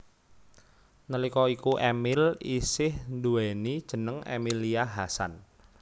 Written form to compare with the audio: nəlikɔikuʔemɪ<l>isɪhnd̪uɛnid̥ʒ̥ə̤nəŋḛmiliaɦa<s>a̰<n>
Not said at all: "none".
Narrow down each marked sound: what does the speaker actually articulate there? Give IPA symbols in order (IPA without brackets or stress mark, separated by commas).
l, s, n